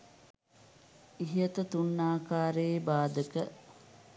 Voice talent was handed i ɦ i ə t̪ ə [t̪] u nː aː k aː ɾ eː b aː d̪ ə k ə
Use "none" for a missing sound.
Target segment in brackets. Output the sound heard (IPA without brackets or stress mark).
t̪